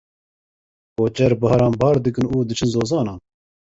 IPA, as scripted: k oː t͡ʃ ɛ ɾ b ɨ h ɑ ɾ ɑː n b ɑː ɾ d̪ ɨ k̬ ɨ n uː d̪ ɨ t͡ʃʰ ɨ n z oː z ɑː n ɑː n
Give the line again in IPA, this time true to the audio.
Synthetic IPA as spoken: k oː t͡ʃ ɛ ɾ b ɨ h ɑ ɾ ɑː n b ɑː ɾ d̪ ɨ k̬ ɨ n uː d̪ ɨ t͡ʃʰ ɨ n z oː z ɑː n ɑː n